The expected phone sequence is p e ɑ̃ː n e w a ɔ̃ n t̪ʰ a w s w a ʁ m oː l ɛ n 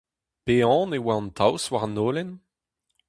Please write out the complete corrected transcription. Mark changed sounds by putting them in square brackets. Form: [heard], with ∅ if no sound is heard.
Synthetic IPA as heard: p e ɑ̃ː n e w a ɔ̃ n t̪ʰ a w s w a ʁ [n] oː l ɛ n